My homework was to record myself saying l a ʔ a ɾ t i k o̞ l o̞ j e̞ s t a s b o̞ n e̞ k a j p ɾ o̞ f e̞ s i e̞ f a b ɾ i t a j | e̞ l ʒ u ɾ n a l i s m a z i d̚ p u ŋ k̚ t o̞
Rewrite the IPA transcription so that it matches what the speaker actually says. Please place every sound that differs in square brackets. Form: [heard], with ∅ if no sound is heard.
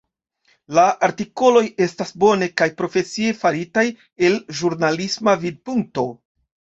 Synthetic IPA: l a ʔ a ɾ t i k o̞ l o̞ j e̞ s t a s b o̞ n e̞ k a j p ɾ o̞ f e̞ s i e̞ f a [∅] ɾ i t a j | e̞ l ʒ u ɾ n a l i s m a [v] i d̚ p u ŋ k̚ t o̞